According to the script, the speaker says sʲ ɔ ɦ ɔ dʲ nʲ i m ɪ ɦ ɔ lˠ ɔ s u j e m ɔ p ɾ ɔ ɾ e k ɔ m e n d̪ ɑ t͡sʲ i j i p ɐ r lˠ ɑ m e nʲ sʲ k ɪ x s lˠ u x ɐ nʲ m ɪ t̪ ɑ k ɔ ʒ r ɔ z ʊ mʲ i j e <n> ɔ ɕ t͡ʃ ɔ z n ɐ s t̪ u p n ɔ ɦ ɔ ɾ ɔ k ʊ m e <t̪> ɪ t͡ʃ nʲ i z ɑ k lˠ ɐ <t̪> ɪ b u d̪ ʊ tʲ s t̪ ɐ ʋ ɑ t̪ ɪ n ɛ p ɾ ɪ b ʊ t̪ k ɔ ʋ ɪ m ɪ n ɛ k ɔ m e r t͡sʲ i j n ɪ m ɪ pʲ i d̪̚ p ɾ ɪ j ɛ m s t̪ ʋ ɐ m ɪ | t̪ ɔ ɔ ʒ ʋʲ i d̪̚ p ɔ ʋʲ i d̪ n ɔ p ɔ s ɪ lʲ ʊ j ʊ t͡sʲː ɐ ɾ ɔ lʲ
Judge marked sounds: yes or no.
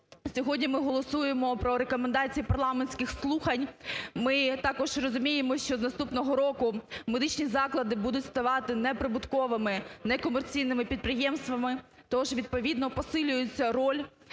no, no, no

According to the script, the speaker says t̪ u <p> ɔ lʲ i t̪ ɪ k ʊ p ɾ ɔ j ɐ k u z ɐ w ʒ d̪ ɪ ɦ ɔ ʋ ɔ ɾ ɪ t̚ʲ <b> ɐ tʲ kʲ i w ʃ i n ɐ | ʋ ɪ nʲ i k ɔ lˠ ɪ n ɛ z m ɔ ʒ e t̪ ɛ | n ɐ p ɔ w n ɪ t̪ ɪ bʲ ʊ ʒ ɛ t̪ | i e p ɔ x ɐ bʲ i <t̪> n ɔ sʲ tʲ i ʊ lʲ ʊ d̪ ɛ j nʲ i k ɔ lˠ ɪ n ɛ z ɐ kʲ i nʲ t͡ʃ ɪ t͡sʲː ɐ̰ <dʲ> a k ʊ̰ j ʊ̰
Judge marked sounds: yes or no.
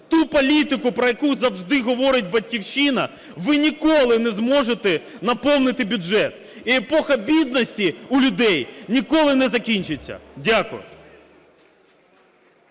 yes, yes, no, yes

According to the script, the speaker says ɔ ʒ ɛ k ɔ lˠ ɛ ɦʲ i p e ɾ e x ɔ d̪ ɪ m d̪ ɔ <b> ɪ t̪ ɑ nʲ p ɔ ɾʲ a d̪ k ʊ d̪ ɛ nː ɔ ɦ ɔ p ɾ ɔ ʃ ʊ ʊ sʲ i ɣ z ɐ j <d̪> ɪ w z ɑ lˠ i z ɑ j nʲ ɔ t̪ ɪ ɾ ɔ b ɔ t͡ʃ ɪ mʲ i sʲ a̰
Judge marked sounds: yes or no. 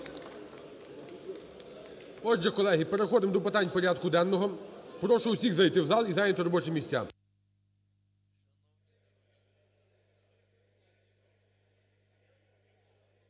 no, no

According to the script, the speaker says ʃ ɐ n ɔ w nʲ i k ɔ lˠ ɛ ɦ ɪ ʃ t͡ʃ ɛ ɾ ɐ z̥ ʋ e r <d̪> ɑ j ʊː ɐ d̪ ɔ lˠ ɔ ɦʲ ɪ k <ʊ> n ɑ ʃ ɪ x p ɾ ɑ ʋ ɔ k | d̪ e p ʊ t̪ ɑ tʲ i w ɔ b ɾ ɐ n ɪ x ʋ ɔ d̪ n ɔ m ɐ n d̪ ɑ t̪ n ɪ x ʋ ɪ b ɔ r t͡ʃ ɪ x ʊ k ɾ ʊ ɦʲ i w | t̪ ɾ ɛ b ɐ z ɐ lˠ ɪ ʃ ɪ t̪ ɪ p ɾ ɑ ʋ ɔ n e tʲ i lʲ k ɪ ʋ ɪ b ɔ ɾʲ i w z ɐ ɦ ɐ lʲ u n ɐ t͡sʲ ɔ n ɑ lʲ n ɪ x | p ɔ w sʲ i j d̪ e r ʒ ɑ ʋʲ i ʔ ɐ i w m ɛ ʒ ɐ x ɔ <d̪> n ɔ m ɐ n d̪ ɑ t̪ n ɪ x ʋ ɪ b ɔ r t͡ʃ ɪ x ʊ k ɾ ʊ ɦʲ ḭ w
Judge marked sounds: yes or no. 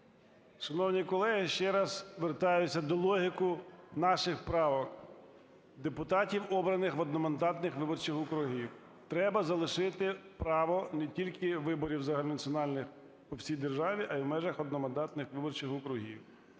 no, yes, yes

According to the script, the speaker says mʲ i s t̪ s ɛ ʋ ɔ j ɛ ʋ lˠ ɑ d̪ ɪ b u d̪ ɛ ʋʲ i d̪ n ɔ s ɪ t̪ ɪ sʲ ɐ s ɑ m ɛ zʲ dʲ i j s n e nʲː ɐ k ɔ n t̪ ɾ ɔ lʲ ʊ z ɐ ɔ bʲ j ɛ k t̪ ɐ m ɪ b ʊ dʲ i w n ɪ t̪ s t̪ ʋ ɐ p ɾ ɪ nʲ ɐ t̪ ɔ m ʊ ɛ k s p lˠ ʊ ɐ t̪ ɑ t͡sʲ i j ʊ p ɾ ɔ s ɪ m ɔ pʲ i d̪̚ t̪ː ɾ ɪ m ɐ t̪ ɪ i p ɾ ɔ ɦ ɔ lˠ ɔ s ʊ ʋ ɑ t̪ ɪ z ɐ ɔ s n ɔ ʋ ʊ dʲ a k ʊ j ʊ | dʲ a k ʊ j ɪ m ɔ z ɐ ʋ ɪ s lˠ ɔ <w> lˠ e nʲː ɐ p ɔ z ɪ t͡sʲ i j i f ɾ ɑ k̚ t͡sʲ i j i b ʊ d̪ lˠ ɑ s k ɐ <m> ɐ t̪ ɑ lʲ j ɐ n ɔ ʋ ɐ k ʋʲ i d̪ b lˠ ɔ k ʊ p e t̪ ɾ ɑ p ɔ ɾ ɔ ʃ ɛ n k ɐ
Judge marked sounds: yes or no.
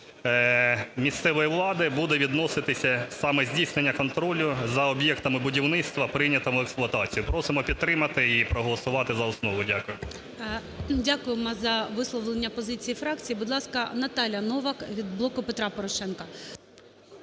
no, no

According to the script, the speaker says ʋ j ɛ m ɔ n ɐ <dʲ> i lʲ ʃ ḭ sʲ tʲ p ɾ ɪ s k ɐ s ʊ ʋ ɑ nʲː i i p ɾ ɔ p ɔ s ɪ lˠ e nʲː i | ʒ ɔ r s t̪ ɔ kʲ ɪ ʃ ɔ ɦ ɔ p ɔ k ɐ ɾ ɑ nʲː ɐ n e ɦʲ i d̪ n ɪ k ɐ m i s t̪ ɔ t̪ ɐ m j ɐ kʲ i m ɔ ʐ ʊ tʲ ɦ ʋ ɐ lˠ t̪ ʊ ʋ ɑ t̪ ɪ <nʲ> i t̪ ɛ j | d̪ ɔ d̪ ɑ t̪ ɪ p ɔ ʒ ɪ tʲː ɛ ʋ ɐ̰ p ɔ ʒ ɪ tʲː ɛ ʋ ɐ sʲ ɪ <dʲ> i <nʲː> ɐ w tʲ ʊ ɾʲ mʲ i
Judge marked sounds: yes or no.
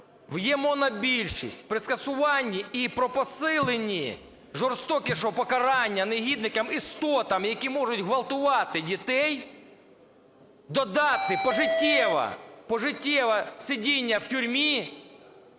no, no, yes, yes

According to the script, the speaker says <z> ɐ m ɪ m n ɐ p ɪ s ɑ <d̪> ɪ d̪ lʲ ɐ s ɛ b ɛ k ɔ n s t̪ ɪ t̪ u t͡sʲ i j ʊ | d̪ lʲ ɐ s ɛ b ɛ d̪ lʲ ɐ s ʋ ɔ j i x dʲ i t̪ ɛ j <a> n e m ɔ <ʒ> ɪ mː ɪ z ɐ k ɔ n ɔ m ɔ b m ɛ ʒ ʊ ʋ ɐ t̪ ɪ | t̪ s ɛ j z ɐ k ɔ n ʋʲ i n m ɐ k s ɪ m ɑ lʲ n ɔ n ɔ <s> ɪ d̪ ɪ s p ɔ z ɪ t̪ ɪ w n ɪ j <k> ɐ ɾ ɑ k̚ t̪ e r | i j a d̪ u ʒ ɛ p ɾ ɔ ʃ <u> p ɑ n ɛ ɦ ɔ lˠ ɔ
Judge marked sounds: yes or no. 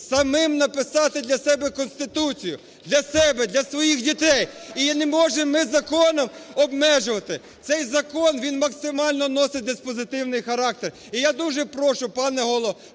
no, no, no, yes, yes, no, no

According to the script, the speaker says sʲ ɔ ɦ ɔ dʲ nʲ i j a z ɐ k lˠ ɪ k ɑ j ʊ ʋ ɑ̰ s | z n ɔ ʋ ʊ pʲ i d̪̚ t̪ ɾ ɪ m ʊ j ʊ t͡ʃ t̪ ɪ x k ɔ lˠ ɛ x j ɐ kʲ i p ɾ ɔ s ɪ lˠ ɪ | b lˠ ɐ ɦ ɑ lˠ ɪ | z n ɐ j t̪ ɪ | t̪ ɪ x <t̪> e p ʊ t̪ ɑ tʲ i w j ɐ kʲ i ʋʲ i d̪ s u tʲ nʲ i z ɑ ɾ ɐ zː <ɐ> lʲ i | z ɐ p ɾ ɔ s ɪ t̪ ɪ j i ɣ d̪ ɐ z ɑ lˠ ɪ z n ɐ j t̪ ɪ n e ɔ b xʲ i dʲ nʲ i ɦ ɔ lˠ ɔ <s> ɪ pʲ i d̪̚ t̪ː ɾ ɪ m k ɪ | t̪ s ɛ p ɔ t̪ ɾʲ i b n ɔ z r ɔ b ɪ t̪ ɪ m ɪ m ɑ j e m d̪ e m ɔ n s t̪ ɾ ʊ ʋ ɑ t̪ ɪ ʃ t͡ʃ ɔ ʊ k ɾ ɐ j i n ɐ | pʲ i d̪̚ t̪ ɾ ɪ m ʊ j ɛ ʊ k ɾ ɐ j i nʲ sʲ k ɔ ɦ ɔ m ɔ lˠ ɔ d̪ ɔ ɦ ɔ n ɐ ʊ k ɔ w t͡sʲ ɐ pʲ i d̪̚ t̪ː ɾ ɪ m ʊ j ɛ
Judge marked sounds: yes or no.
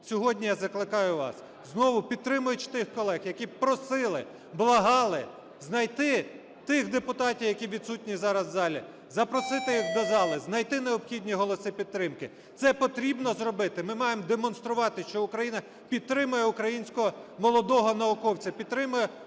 no, no, yes

